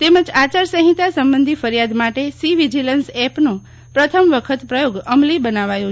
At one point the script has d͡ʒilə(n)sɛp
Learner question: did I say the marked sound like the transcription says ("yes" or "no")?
yes